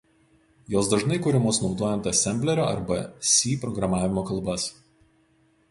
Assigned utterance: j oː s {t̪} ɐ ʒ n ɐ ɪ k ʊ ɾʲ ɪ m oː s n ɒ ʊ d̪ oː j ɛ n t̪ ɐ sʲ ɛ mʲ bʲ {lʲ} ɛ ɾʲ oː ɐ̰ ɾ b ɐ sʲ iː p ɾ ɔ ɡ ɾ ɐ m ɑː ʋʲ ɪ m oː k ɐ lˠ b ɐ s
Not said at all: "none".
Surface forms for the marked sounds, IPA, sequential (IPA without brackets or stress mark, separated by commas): d̪, lʲ